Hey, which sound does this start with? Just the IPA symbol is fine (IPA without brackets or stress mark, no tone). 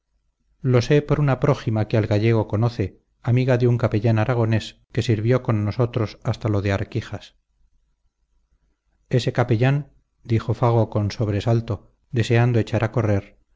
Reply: l